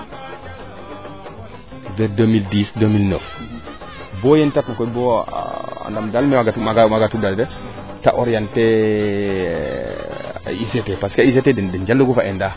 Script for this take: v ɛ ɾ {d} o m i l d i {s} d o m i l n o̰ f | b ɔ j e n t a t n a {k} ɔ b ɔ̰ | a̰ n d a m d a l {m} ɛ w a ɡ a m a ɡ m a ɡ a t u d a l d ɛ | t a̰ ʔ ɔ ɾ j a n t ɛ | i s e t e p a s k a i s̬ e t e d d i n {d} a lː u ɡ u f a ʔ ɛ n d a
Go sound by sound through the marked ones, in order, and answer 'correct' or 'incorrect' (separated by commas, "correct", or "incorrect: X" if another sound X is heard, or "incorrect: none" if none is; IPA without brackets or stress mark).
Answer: correct, correct, correct, correct, incorrect: d͡ʒ